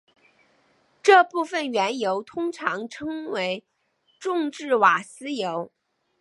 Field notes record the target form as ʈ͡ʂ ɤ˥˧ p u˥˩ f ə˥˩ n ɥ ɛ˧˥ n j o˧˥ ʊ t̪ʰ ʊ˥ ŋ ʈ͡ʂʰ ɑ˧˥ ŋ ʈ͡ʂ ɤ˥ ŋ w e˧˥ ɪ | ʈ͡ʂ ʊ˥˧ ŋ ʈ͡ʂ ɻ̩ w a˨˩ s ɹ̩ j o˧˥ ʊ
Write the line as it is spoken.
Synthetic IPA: ʈ͡ʂ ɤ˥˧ p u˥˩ f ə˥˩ n ɥ ɛ˧˥ n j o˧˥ ʊ t̪ʰ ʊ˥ ŋ ʈ͡ʂʰ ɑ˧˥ ŋ ʈ͡ʂʰ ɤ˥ ŋ w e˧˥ ɪ | ʈ͡ʂ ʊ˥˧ ŋ ʈ͡ʂ ɻ̩ w a˨˩ s ɹ̩ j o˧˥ ʊ